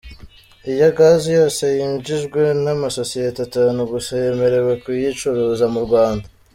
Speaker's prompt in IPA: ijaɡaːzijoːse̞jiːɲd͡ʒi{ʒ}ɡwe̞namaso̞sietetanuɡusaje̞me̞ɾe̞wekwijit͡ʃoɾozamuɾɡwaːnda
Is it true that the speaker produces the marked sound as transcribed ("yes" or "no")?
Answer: yes